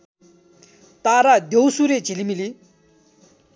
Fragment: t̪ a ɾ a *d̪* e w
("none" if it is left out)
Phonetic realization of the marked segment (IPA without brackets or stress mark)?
d̪